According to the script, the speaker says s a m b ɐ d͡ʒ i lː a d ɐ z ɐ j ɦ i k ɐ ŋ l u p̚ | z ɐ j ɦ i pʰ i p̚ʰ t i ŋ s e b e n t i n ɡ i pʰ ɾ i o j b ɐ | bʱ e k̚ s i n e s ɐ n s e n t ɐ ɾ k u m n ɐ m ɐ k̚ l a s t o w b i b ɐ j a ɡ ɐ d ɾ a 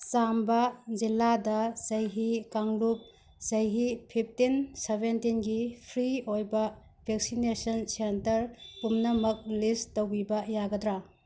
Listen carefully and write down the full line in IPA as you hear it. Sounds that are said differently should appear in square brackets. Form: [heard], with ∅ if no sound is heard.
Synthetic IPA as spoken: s a m b ɐ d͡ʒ i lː a d ɐ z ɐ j ɦ i k [a] ŋ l u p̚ | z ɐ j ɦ i pʰ i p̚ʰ t i [n] s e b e n t i n ɡ i pʰ ɾ i o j b ɐ | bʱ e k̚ s i n e s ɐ n s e n t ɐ ɾ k u m n ɐ m ɐ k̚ l [i] s t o w b i b ɐ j a ɡ ɐ d ɾ a